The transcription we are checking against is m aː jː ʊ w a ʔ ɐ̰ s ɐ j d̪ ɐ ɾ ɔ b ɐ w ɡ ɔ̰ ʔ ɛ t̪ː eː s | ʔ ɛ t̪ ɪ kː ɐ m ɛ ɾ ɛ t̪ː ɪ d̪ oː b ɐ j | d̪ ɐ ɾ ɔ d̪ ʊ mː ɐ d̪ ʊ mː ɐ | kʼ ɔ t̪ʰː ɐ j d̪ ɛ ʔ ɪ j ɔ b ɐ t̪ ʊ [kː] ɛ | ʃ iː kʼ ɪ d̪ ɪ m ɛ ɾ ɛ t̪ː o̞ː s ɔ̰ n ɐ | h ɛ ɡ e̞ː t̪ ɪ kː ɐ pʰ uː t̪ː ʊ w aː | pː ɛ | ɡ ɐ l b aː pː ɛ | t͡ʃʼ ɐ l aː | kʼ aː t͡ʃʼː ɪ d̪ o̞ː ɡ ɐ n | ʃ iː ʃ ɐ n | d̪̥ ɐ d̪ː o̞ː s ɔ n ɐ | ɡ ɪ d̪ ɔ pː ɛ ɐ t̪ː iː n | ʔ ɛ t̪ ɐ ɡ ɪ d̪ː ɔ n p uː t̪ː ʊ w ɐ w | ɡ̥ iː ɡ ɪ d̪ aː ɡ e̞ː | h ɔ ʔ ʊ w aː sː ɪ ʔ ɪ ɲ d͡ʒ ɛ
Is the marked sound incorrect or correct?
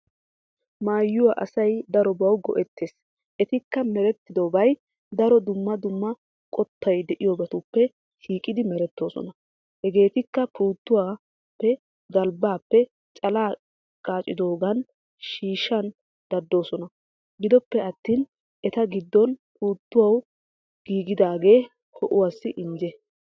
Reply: incorrect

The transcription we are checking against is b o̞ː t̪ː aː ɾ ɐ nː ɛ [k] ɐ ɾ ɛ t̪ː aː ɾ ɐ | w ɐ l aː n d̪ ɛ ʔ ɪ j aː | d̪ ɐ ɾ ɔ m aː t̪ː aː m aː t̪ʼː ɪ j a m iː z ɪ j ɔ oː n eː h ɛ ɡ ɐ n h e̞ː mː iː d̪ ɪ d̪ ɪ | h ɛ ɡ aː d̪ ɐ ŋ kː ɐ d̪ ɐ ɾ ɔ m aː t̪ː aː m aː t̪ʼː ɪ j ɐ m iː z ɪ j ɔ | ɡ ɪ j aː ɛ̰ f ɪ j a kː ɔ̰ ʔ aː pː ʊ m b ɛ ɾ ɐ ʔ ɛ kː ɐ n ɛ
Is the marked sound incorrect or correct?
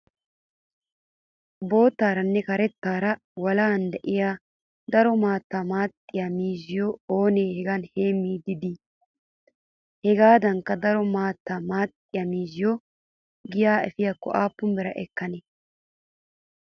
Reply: correct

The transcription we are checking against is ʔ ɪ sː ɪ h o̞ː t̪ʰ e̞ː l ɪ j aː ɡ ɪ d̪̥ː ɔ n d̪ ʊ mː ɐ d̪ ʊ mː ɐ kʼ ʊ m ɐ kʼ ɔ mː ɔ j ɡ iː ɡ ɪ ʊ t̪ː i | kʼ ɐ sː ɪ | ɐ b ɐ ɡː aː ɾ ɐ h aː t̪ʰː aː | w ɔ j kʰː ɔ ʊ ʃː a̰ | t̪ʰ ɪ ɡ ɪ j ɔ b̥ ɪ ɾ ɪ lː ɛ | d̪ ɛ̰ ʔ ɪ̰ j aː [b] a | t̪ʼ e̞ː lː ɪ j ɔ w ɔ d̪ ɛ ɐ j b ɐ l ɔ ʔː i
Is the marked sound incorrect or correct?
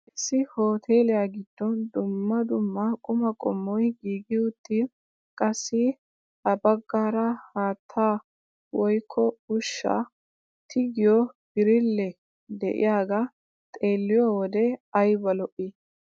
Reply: incorrect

